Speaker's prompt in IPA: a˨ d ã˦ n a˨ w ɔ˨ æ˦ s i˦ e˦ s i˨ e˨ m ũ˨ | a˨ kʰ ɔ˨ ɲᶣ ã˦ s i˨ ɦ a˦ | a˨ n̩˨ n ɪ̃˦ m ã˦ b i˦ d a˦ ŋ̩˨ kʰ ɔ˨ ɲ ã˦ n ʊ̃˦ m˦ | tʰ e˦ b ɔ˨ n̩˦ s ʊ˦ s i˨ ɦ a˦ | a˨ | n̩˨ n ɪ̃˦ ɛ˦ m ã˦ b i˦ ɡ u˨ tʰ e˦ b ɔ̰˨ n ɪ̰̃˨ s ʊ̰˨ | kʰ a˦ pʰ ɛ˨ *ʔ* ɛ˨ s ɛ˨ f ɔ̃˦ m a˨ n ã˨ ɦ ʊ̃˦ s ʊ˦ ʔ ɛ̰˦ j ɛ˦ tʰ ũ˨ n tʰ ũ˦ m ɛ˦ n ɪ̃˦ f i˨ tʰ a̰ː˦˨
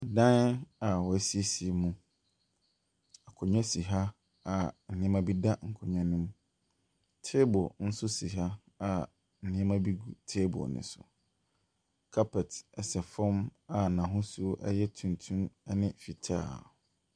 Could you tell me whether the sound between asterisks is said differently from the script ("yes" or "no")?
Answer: yes